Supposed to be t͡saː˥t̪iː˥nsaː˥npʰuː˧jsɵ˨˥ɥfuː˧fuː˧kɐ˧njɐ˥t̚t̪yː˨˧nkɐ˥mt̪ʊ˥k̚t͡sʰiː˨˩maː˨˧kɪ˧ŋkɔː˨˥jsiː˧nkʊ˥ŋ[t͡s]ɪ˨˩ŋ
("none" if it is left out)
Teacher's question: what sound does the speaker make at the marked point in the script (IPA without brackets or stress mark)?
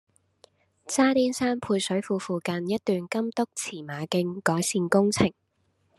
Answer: t͡sʰ